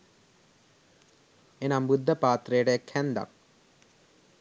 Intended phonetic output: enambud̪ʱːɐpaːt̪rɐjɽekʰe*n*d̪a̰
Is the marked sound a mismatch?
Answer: no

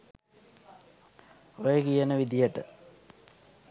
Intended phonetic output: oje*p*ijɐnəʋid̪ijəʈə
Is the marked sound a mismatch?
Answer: yes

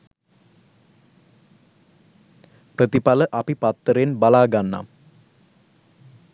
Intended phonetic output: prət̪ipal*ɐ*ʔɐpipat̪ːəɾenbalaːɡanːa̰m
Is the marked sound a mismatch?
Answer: yes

